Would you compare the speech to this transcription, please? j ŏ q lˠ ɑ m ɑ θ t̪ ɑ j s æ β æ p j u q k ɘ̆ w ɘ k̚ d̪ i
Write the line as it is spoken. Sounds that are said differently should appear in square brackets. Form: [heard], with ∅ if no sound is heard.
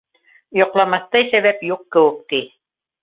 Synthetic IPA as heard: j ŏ q lˠ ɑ m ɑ θ t̪ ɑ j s æ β æ p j u q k ɘ̆ w ɘ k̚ [t̪] i